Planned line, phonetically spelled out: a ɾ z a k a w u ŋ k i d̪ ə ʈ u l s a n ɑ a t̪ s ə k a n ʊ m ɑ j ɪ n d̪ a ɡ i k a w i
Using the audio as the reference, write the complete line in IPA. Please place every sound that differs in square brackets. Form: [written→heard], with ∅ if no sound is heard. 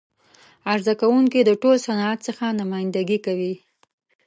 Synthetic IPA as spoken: a ɾ z a k a w u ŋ k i d̪ ə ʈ [u→o] l s a n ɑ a t̪ s ə [k→x] a n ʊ m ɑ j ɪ n d̪ a ɡ i k a w i